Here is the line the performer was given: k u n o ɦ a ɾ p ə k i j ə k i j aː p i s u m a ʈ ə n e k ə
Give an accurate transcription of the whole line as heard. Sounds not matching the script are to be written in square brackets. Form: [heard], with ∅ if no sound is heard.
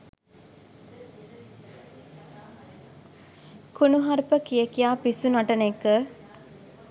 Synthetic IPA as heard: k u n [u] ɦ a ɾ p ə k i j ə k i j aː p i s u [n] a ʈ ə n e k ə